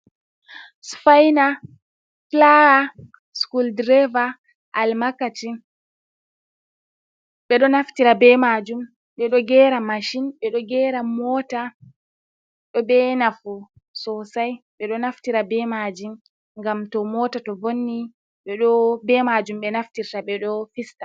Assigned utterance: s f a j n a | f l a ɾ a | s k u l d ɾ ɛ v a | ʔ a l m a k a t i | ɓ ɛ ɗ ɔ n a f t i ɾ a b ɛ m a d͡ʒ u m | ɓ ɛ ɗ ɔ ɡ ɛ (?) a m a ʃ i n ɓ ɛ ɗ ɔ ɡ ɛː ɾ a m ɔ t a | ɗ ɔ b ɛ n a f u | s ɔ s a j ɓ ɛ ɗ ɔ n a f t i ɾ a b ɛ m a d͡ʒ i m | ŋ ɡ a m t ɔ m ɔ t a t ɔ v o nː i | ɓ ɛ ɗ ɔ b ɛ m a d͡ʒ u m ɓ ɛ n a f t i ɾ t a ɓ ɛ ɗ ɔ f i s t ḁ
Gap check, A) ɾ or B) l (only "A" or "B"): A